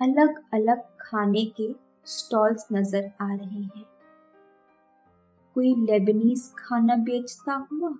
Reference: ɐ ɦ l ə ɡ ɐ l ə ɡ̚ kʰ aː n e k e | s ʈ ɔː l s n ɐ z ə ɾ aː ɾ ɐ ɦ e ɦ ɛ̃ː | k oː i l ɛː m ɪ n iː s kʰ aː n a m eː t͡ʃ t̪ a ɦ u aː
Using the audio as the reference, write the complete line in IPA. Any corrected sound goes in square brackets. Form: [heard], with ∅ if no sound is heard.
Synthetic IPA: ɐ [∅] l ə ɡ ɐ l ə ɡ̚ kʰ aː n e k e | s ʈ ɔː l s n ɐ z ə ɾ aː ɾ ɐ ɦ e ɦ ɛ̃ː | k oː i l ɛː [b] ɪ n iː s kʰ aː n a [b] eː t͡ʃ t̪ a ɦ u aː